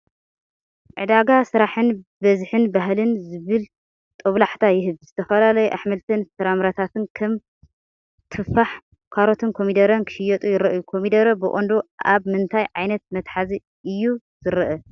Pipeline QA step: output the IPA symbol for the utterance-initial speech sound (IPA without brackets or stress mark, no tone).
ʕ